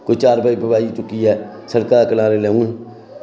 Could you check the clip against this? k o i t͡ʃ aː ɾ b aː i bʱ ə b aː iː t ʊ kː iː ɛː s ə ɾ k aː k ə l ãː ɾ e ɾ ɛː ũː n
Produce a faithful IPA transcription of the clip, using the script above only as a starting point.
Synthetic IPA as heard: k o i t͡ʃ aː ɾ b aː i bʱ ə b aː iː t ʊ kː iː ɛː s ə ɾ k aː k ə l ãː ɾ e l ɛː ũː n